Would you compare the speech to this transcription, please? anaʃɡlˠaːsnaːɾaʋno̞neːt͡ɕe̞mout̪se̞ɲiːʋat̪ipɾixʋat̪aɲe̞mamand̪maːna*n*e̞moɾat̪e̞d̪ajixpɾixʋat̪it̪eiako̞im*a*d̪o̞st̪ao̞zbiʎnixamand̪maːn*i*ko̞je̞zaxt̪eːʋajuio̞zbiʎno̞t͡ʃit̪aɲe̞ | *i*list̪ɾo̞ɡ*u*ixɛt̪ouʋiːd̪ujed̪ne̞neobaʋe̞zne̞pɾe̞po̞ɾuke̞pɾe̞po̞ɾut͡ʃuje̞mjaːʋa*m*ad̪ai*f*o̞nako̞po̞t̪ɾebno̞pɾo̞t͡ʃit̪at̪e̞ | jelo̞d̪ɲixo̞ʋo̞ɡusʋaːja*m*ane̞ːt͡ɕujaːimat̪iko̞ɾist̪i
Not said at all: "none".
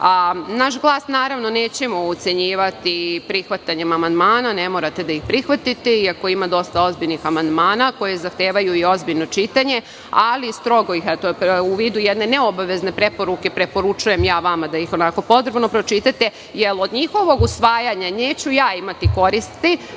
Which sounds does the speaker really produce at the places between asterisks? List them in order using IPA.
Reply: n, a, a, a, o, m, x, ɲ

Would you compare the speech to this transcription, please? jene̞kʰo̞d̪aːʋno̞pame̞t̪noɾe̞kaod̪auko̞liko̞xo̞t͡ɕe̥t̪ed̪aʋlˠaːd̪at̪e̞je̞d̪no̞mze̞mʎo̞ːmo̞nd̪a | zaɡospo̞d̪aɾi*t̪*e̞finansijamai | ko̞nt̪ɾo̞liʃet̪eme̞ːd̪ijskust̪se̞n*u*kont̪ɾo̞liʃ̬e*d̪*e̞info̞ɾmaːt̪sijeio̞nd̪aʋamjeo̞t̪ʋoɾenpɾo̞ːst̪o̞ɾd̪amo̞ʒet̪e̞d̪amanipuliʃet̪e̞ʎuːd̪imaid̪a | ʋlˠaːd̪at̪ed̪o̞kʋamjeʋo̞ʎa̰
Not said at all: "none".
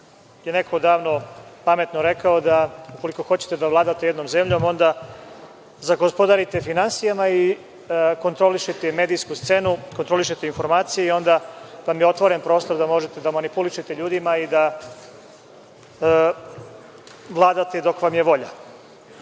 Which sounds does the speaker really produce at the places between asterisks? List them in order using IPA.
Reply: t̪, u, t̪

